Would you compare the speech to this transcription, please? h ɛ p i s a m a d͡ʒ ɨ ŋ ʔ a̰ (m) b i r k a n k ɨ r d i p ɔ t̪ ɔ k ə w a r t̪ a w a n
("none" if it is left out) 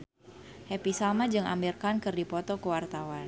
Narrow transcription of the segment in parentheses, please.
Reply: m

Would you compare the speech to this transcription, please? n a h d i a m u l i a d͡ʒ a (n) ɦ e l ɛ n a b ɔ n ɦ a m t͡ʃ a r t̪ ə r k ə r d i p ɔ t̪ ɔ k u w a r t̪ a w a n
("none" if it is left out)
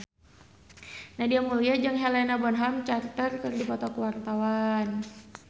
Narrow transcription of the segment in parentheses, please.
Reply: ŋ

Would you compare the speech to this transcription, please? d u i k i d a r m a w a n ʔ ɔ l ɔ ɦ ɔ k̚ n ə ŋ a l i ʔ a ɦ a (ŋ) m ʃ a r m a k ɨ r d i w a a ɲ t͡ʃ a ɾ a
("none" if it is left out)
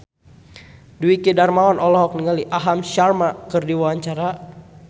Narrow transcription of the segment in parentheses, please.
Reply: none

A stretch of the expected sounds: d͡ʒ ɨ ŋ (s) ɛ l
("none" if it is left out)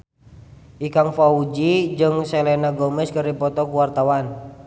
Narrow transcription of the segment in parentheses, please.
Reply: s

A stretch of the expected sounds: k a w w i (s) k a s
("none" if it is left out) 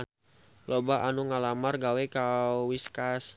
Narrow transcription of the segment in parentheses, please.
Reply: s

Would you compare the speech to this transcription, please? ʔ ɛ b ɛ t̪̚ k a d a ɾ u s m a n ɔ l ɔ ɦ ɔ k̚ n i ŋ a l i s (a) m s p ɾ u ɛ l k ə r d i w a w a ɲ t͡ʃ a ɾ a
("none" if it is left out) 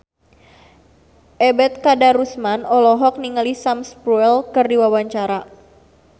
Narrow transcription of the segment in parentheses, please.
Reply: a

